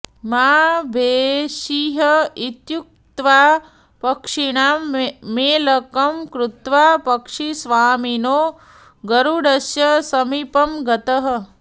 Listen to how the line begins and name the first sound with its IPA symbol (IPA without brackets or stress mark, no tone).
m